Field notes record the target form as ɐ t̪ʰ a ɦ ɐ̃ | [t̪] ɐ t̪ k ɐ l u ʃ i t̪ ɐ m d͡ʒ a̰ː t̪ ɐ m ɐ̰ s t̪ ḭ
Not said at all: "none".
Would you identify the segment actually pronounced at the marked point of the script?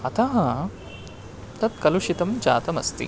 t̪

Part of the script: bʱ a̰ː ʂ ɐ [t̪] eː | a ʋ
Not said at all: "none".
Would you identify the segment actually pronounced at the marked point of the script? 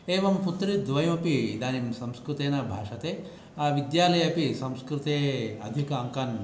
t̪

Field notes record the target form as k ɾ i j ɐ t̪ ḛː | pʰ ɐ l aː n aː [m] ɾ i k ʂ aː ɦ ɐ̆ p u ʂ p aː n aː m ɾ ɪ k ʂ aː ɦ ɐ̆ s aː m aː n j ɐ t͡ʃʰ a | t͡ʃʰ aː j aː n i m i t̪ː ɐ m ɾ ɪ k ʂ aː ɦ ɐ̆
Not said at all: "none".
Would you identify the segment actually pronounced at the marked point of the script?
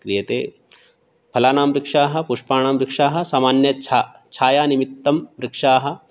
m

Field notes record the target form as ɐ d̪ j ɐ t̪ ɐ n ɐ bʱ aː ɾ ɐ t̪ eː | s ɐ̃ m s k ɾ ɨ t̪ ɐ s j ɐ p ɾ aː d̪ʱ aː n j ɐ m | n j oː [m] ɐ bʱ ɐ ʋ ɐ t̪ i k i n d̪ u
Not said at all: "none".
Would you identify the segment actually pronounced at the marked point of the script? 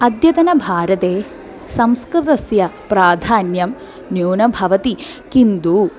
n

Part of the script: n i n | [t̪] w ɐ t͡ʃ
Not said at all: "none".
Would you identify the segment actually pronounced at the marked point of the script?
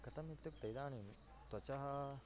t̪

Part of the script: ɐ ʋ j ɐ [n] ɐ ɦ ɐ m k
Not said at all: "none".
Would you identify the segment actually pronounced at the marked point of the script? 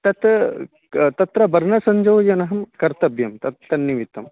n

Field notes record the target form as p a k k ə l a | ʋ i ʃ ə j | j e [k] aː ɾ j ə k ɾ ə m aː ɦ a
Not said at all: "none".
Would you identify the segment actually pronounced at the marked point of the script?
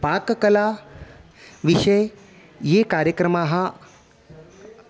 k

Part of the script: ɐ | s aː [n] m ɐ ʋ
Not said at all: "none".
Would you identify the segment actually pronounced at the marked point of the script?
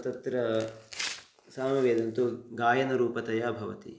none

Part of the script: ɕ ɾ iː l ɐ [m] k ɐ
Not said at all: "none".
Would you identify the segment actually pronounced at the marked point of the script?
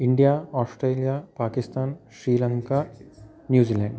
ŋ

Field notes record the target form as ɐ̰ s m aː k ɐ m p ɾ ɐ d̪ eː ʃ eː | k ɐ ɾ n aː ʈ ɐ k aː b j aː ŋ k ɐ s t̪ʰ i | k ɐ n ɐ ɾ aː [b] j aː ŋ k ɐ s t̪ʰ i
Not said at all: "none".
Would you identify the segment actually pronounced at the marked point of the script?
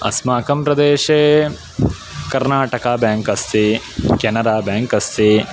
b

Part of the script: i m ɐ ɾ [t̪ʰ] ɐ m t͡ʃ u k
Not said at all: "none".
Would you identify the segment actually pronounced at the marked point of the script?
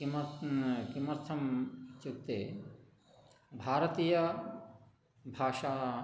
t̪ʰ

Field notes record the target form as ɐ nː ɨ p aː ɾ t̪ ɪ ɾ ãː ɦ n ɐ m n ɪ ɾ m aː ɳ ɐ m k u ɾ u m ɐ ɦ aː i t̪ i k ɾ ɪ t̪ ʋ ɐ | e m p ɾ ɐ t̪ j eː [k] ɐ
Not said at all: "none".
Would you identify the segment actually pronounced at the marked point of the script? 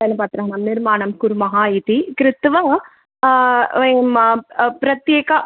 k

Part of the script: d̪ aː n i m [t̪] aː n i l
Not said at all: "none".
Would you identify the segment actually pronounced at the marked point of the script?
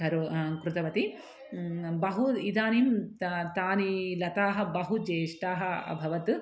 t̪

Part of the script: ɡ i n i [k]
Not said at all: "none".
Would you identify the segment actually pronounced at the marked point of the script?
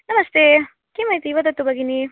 none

